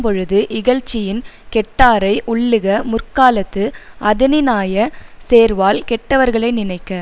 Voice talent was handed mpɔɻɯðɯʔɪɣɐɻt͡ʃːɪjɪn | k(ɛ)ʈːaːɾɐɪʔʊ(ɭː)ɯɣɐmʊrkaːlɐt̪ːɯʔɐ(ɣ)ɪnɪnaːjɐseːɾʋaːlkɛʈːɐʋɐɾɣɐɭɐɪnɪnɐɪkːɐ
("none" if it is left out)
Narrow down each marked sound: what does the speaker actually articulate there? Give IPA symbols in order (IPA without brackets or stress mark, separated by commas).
ɛ, ɭː, ð